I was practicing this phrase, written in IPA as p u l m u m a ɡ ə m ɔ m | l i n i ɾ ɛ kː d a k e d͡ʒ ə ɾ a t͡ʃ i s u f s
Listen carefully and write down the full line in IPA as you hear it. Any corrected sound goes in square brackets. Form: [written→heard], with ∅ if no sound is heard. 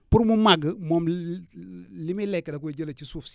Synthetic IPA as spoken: p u [l→ɾ] m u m a ɡ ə m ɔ m | l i [n→m] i [ɾ→l] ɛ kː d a k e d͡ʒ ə [ɾ→l] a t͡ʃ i s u f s